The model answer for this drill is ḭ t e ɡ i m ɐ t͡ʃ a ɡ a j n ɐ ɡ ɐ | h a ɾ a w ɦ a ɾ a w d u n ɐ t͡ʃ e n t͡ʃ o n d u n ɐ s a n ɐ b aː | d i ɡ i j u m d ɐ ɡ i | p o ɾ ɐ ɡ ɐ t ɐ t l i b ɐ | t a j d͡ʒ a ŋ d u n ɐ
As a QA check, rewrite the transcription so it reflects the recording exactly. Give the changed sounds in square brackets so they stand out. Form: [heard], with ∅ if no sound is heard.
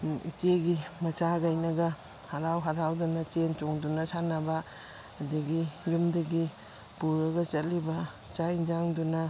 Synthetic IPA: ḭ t e ɡ i m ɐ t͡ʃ a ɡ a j n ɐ ɡ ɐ | h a ɾ a w ɦ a ɾ a w d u n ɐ t͡ʃ e n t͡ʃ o [ŋ] d u n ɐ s a n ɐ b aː | d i ɡ i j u m d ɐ ɡ i | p [u] ɾ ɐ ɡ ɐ [t͡ʃ] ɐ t l i b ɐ | [t͡ʃ] a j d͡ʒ a ŋ d u n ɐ